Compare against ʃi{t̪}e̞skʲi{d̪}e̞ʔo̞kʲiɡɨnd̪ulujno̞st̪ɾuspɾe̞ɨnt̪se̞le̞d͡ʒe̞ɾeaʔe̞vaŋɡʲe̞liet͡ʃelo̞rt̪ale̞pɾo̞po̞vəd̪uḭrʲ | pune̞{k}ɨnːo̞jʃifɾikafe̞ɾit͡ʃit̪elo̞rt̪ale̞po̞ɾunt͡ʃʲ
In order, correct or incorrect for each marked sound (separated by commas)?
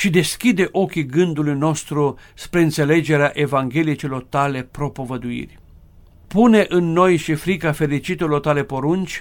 incorrect, correct, incorrect